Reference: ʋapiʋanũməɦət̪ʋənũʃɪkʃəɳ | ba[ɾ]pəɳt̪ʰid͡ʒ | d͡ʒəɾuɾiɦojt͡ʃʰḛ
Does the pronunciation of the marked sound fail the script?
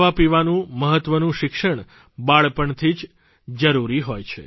yes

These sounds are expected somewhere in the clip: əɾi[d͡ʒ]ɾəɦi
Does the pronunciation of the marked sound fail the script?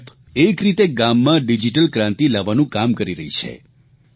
yes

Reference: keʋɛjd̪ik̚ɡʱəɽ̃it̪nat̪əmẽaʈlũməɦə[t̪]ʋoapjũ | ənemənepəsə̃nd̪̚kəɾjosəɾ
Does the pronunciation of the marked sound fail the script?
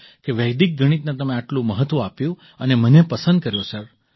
no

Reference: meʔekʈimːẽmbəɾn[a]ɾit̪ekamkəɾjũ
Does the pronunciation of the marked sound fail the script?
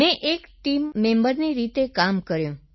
yes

